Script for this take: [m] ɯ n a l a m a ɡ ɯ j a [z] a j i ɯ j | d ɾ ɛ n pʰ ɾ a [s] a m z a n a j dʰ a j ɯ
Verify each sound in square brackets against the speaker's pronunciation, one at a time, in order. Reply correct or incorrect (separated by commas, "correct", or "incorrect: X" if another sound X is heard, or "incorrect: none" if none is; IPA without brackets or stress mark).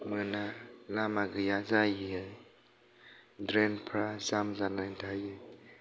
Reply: correct, correct, incorrect: z